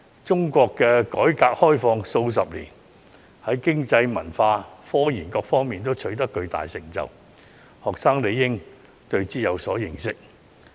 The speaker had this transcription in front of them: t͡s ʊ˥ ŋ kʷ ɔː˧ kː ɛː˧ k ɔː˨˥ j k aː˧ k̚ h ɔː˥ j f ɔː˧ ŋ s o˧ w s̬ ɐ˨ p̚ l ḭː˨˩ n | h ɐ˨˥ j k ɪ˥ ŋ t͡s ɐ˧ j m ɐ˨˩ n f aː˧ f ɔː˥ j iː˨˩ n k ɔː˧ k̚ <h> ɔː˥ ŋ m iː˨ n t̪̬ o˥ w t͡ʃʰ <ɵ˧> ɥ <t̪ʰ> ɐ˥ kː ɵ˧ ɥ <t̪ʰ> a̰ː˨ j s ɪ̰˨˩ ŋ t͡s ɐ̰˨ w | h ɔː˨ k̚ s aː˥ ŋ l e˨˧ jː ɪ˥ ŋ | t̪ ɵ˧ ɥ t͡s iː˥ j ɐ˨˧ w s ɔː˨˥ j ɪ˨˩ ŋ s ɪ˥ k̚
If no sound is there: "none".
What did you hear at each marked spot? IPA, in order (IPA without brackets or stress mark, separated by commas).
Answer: f, ɵ˨˥, t̪, t̪